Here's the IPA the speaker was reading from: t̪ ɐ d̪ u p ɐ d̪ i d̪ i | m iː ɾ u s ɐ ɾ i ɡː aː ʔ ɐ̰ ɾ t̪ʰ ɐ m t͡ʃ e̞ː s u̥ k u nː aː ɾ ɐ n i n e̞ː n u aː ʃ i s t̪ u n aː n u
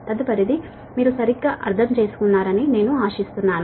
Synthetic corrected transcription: t̪ ɐ d̪ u p ɐ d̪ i d̪ i | m iː ɾ u s ɐ ɾ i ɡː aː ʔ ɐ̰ ɾ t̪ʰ ɐ m t͡ʃ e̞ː s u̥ k u nː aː ɾ ɐ n i n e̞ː n u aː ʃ i s t̪ u nː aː n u